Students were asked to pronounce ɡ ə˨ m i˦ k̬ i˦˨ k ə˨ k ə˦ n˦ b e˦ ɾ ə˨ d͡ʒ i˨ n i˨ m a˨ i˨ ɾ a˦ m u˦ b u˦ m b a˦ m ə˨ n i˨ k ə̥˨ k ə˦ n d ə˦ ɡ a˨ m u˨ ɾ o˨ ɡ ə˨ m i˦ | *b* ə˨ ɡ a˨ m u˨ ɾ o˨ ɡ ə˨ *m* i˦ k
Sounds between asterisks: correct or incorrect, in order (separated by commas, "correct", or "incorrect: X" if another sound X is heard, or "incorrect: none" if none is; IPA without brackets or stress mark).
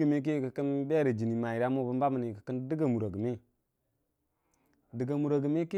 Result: incorrect: d, correct